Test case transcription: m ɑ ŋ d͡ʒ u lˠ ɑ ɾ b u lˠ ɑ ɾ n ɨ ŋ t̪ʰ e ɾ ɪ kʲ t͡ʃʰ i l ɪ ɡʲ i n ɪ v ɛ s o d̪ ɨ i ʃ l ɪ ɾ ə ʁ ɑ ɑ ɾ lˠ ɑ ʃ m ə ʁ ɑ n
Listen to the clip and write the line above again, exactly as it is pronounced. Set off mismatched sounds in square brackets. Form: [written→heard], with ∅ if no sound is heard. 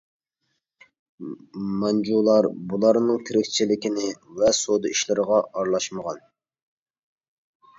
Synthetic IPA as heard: m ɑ [ŋ→n] d͡ʒ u lˠ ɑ ɾ b u lˠ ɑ ɾ n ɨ ŋ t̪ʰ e ɾ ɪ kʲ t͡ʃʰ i l ɪ [ɡʲ→kʲ] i n ɪ v ɛ s o d̪ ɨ i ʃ l ɪ ɾ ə ʁ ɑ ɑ ɾ lˠ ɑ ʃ m ə ʁ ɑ n